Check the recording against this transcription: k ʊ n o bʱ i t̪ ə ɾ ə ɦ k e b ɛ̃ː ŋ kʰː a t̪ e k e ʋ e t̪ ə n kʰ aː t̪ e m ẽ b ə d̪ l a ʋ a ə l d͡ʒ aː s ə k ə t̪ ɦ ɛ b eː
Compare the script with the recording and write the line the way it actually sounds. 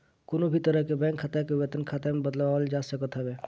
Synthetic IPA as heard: k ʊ n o bʱ i t̪ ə ɾ ə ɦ k e b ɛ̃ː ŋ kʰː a t̪ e k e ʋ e t̪ ə n kʰ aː t̪ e m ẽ b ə d̪ l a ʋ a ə l d͡ʒ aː s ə k ə t̪ ɦ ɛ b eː